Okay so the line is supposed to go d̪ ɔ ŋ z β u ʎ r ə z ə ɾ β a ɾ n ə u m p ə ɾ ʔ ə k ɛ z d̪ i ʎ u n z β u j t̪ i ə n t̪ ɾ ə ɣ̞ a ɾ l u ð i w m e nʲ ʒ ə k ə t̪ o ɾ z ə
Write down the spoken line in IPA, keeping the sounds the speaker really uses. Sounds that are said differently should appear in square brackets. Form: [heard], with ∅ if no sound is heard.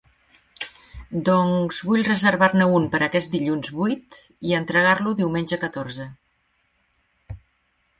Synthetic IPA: d̪ ɔ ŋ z β u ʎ r ə z ə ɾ β a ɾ n ə u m p ə ɾ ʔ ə k ɛ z d̪ i ʎ u n z β u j t̪ i ə n t̪ ɾ ə ɣ̞ a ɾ l u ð i w m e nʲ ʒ ə k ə t̪ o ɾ z ə

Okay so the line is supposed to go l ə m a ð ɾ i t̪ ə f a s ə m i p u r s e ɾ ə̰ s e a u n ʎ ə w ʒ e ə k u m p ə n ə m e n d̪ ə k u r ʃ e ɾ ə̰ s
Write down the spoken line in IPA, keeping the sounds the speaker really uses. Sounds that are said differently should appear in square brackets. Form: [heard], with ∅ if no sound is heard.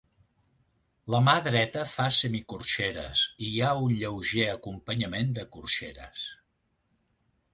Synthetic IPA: l ə m a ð ɾ [ɛ] t̪ ə f a s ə m i [k] u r [ʃ] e ɾ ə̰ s [i] a u n ʎ ə w ʒ e ə k u m p ə [ɲ] ə m e n d̪ ə k u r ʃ e ɾ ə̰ s

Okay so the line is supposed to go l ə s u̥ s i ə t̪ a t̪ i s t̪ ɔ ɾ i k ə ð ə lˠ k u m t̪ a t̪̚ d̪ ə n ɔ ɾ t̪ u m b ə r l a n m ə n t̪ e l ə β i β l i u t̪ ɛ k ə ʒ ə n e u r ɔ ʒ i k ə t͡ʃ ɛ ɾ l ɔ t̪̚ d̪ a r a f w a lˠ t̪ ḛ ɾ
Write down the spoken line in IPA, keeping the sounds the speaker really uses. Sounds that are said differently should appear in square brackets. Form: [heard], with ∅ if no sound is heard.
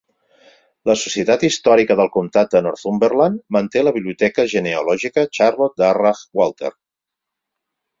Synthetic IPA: l ə s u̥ s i ə t̪ a t̪ i s t̪ ɔ ɾ i k ə ð ə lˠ k u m t̪ a t̪̚ d̪ ə n ɔ ɾ t̪ u m b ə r l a n m ə n t̪ e l ə β i β l i u t̪ ɛ k ə ʒ ə n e u [l] ɔ ʒ i k ə t͡ʃ [a] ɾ l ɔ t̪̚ d̪ a r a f w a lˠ t̪ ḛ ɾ

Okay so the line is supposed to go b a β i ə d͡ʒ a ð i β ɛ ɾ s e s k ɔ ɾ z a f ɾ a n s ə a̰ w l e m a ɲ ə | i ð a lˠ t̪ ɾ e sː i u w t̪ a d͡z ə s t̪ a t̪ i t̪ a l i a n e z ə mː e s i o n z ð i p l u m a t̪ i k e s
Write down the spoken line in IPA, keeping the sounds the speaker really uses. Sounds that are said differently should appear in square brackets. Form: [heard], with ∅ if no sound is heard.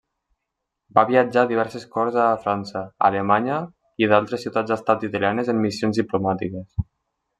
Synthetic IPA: b a β i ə d͡ʒ a ð i β ɛ ɾ s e s k ɔ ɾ z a f ɾ a n s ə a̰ [∅] l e m a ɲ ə | i ð a lˠ t̪ ɾ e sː i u w t̪ a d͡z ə s t̪ a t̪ i t̪ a l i a n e z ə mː [i] s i o n z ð i p l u m a t̪ i k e s

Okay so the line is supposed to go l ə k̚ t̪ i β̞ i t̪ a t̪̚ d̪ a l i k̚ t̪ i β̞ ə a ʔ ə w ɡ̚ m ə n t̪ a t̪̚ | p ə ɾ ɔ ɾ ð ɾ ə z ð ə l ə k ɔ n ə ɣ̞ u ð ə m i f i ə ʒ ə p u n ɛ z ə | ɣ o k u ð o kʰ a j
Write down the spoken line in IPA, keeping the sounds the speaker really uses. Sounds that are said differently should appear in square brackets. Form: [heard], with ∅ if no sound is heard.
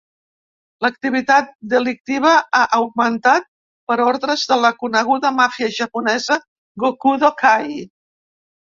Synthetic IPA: l ə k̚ t̪ i β̞ i t̪ a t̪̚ d̪ [ə] l i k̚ t̪ i β̞ ə a ʔ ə w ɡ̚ m ə n t̪ a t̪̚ | p ə ɾ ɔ ɾ ð ɾ ə z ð ə l ə k [u] n ə ɣ̞ u ð ə m [a] f i ə ʒ ə p u n ɛ z ə | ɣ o k u ð o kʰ a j

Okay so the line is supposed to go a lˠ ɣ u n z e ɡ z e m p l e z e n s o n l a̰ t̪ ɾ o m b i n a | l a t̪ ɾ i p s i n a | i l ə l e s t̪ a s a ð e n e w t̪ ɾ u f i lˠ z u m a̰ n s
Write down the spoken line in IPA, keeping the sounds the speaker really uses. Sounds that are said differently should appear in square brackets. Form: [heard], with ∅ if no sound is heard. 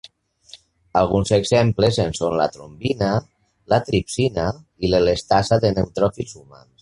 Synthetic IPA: a lˠ ɣ u n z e ɡ z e m p l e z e n s o n l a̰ t̪ ɾ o m b i n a | l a t̪ ɾ i p s i n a | i l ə l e s t̪ a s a ð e n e w t̪ ɾ [ɔ] f i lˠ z u m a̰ n s

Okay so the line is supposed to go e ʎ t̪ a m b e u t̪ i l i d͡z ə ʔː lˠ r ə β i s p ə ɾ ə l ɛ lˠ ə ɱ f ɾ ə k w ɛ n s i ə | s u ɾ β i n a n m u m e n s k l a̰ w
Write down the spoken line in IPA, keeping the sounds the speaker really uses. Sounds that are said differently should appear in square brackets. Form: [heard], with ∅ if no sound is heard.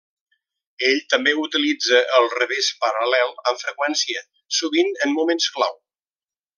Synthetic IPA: e ʎ t̪ [ə] m b e u t̪ i l i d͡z ə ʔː lˠ r ə β [e] s p ə ɾ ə l ɛ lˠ ə ɱ f ɾ ə k w ɛ n s i ə | s u [∅] β i n [ə] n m u m e n s k l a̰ w

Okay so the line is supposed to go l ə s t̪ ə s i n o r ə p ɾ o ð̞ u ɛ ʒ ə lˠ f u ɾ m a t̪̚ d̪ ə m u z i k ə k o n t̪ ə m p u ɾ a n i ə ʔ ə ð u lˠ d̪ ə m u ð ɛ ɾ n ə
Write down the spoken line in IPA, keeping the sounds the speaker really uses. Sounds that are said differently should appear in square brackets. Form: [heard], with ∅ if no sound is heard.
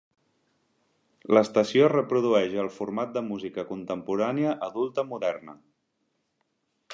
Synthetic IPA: l ə s t̪ ə s i [∅] o r ə p ɾ [u] ð̞ u ɛ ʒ ə lˠ f u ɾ m a t̪̚ d̪ ə m u z i k ə k [u] n t̪ ə m p u ɾ a n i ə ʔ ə ð u lˠ [t̪] ə m u ð ɛ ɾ n ə

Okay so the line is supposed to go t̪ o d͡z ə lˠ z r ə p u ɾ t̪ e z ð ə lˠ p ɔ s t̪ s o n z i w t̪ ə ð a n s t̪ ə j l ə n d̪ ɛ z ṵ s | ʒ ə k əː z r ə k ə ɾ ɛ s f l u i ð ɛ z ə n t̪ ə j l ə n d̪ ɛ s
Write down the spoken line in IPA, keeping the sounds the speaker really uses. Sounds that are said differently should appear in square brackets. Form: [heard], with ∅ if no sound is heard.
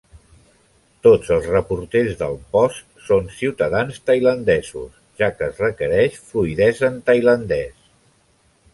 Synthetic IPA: t̪ o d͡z ə lˠ z r ə p u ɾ t̪ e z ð ə lˠ p ɔ s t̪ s o n [s] i w t̪ ə ð a n s t̪ ə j l ə n d̪ ɛ z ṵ s | ʒ [a] k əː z r ə k ə ɾ ɛ [ʃ] f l u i ð ɛ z ə n t̪ ə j l ə n d̪ ɛ s

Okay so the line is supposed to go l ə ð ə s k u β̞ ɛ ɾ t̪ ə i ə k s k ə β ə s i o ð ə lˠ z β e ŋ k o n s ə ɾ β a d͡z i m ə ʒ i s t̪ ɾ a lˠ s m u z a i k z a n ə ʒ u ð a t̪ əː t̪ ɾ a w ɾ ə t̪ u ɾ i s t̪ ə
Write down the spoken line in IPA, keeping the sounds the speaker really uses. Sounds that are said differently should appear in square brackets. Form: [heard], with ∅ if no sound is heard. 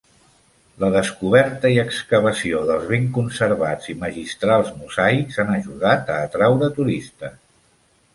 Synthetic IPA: l ə ð ə s k u β̞ ɛ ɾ t̪ ə i ə k s k ə β ə s i o ð ə lˠ z β e ŋ k [u] n s ə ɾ β a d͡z i m ə ʒ i s t̪ ɾ a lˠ [z] m u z a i k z a n ə ʒ u ð a t̪ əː t̪ ɾ a w ɾ ə t̪ u ɾ i s t̪ ə

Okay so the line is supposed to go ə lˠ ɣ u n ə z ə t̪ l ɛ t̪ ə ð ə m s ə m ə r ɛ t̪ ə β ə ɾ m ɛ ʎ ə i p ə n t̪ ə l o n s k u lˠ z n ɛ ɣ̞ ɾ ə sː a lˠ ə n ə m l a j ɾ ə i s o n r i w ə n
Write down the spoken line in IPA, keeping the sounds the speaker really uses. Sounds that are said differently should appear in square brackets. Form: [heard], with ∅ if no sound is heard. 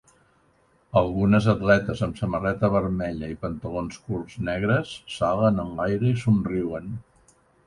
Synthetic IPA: ə lˠ ɣ u n ə z ə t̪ l ɛ t̪ ə [z] ə m s ə m ə r ɛ t̪ ə β ə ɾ m ɛ ʎ ə i p ə n t̪ ə l o n s k u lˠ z n ɛ ɣ̞ ɾ ə sː a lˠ ə n ə [n] l a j ɾ ə i s [u] n r i w ə n

